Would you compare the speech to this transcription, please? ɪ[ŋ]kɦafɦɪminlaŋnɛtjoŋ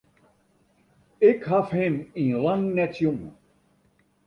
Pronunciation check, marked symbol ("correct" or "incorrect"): incorrect